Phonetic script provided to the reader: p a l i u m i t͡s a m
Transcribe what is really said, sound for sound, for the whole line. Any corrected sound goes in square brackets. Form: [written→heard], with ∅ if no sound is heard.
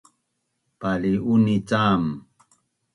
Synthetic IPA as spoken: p a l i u [m→n] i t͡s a m